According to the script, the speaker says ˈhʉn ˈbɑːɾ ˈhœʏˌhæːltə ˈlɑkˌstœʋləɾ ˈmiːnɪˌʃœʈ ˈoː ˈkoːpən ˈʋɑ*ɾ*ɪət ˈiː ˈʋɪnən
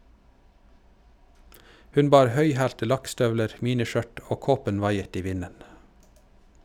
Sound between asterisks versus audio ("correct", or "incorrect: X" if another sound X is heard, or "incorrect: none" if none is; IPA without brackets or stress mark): incorrect: none